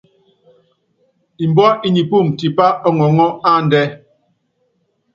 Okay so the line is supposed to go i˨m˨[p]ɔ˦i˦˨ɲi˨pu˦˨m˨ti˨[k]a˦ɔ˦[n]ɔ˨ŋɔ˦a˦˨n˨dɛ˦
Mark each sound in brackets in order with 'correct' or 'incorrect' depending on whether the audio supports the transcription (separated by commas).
incorrect, incorrect, incorrect